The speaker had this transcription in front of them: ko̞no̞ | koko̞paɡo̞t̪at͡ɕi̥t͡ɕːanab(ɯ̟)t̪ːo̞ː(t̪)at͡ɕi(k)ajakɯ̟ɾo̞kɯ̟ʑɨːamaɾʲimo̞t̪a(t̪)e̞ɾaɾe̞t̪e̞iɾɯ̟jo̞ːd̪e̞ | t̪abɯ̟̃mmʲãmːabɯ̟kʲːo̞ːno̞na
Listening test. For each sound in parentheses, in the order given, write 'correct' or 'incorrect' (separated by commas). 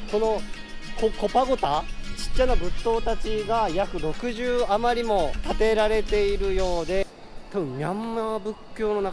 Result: correct, correct, incorrect, correct